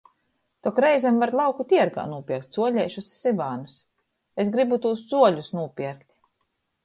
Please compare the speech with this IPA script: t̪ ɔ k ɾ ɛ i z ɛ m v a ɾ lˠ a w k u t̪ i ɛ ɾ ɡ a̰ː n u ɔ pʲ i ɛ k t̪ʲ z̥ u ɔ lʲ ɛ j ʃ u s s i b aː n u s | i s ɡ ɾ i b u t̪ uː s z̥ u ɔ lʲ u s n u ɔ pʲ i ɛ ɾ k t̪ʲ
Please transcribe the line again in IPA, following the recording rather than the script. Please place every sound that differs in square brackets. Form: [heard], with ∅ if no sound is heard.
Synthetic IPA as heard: t̪ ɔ k ɾ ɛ [j] z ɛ m v a ɾ lˠ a w k u t̪ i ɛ ɾ ɡ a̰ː n u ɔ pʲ i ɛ k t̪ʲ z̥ u ɔ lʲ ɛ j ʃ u s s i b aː n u s | [e] s ɡ ɾ i b u t̪ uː s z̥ u ɔ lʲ u s n u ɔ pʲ i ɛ ɾ k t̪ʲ